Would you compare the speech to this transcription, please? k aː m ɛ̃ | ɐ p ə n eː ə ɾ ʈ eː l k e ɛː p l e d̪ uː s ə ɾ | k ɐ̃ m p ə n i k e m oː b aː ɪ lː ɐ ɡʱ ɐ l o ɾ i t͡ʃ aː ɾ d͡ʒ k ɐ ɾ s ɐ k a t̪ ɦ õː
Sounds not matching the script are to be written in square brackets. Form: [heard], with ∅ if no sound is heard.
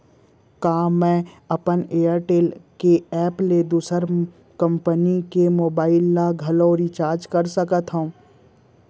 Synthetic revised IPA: k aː m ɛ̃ | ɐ p ə n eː ə ɾ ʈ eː l k e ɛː p l e d̪ uː s ə ɾ | k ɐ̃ m p ə n i k e m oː b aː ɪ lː [a] ɡʱ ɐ l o ɾ i t͡ʃ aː ɾ d͡ʒ k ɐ ɾ s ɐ k [ə] t̪ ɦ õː